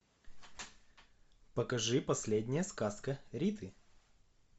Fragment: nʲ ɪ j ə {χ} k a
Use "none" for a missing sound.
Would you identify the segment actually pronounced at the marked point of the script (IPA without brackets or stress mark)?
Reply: s